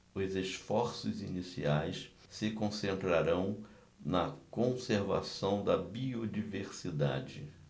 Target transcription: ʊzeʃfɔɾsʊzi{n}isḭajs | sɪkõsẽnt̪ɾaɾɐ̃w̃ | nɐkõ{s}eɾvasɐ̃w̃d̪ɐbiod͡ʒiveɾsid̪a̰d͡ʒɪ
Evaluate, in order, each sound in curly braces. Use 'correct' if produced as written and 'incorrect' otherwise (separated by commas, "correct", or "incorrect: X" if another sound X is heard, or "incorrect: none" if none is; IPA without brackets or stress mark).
correct, correct